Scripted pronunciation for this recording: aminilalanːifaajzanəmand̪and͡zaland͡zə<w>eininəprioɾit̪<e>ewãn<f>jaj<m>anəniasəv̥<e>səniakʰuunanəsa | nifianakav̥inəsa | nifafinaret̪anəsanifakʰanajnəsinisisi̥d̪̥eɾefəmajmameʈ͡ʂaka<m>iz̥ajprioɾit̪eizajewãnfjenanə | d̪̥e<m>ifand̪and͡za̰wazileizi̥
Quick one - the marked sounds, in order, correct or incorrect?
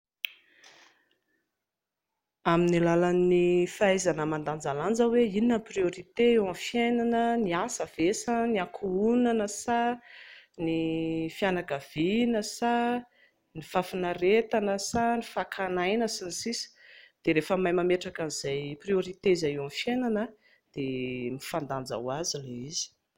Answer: correct, correct, correct, incorrect: n, correct, incorrect: n, correct

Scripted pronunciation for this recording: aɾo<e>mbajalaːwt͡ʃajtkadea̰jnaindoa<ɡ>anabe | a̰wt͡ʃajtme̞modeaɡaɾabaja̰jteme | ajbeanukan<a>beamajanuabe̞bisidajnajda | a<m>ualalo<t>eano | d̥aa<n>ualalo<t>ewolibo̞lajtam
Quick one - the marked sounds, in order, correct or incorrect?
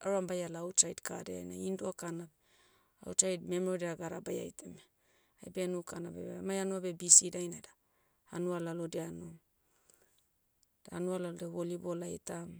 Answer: incorrect: a, incorrect: k, correct, incorrect: n, incorrect: d, correct, incorrect: d

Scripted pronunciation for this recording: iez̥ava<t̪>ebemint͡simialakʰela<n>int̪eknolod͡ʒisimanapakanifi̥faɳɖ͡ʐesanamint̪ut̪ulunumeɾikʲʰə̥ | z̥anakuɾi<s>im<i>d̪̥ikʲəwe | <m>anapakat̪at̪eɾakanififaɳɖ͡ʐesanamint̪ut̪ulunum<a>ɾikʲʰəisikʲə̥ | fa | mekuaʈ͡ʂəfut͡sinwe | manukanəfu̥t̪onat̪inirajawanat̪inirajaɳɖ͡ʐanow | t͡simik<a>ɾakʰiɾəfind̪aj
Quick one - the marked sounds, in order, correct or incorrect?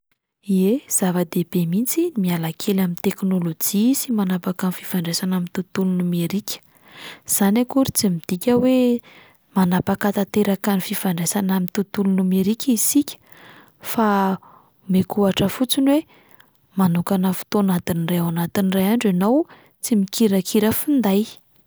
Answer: incorrect: d̪, incorrect: m, incorrect: t͡s, correct, correct, incorrect: e, incorrect: i

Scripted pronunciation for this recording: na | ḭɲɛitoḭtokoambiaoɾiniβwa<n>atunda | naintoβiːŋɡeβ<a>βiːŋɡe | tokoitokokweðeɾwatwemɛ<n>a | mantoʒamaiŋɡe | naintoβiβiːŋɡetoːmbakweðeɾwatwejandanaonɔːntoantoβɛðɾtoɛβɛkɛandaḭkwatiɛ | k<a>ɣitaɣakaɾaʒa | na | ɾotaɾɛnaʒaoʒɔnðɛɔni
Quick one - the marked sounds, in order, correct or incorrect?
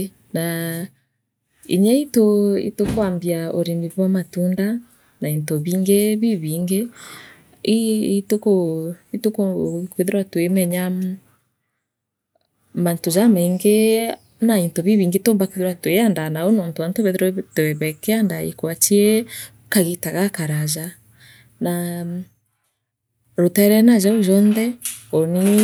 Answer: incorrect: m, incorrect: i, incorrect: ɲ, correct

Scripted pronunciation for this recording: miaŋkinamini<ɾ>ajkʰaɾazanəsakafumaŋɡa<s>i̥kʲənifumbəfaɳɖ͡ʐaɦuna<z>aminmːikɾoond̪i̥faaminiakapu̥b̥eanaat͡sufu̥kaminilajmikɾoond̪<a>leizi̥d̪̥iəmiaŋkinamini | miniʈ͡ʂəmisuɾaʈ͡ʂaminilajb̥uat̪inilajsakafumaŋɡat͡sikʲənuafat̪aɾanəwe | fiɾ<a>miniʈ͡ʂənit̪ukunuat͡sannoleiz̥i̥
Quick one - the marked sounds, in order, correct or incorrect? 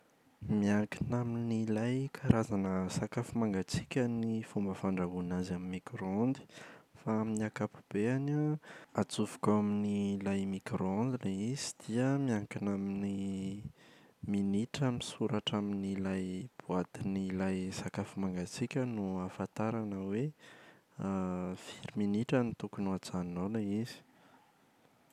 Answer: incorrect: l, incorrect: t͡s, correct, incorrect: i, incorrect: i

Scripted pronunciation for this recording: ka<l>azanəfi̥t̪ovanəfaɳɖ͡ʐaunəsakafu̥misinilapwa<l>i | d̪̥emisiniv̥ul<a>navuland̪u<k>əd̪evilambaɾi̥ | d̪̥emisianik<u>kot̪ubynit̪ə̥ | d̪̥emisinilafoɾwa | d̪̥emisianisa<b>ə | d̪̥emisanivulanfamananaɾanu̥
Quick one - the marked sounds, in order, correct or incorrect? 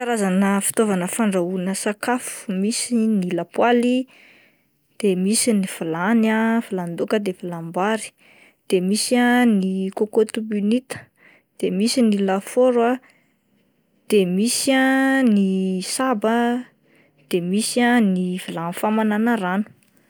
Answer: incorrect: ɾ, correct, correct, correct, incorrect: o, correct

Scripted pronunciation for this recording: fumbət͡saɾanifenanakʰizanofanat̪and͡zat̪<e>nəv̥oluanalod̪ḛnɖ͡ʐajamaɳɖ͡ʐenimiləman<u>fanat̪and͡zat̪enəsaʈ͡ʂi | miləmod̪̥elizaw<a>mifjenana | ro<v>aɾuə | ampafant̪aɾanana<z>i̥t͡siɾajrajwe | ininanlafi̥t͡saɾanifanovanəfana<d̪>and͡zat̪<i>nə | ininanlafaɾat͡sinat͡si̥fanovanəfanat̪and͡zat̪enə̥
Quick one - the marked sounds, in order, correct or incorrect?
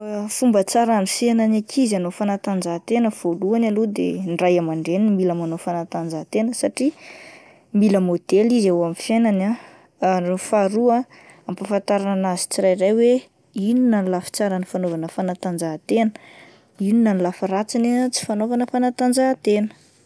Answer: correct, incorrect: o, correct, incorrect: f, correct, incorrect: t̪, incorrect: e

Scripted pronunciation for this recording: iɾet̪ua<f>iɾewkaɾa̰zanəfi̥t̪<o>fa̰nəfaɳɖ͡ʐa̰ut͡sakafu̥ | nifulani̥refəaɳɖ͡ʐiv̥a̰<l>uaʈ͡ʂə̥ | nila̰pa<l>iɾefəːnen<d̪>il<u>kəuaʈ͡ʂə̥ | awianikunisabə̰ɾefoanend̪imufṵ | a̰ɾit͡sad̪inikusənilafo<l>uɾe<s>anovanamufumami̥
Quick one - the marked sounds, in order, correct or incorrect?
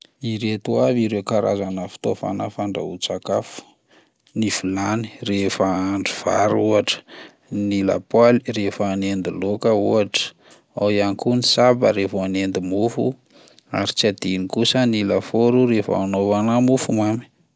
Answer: incorrect: v, correct, incorrect: ɾ, correct, correct, incorrect: o, incorrect: ɾ, incorrect: f

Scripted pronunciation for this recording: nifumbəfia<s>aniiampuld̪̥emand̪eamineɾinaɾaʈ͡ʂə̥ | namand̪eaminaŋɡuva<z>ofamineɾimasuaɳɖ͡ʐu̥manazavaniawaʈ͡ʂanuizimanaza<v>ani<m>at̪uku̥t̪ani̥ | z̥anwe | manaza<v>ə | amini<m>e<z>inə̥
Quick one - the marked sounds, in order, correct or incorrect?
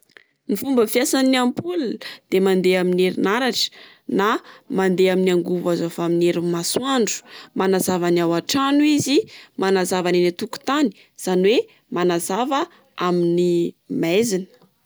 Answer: correct, correct, correct, incorrect: n, correct, correct, correct

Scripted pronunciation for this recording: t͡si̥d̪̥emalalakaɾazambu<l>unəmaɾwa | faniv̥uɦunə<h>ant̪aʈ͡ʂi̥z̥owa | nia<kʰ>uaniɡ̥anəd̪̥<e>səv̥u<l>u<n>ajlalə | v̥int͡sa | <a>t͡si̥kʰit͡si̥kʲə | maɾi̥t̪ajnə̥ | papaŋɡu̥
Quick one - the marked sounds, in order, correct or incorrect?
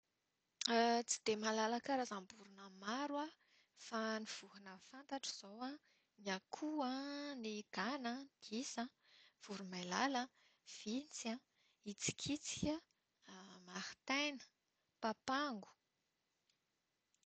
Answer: incorrect: ɾ, incorrect: f, correct, incorrect: i, incorrect: ɾ, incorrect: m, incorrect: i

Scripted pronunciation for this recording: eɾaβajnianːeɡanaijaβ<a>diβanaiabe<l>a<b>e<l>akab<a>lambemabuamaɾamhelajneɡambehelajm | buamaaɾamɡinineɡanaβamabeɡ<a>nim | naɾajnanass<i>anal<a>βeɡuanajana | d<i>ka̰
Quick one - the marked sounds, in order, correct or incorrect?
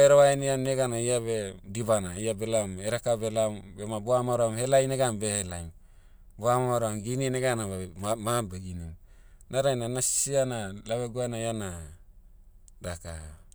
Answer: incorrect: e, correct, incorrect: m, incorrect: ɾ, incorrect: e, incorrect: i, correct, correct, incorrect: a

